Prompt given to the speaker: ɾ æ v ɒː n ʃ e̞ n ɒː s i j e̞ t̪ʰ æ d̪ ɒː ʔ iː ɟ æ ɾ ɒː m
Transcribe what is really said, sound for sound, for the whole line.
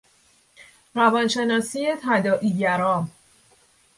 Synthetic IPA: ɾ æ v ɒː n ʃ e̞ n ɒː s i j e̞ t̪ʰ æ d̪ ɒː ʔ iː ɟ æ ɾ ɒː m